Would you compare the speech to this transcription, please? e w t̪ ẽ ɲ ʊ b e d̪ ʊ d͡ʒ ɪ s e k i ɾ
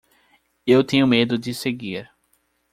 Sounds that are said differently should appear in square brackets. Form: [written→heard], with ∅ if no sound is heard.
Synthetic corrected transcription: e w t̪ ẽ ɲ ʊ [b→m] e d̪ ʊ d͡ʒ ɪ s e [k→ɡ] i ɾ